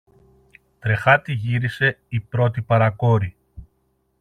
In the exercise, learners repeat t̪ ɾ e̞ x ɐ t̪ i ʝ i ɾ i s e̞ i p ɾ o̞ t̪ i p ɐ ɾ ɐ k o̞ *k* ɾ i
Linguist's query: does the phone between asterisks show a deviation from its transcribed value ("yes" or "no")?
yes